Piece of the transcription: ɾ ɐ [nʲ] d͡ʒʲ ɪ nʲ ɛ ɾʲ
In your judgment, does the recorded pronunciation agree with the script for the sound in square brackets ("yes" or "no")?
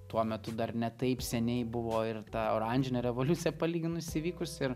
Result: yes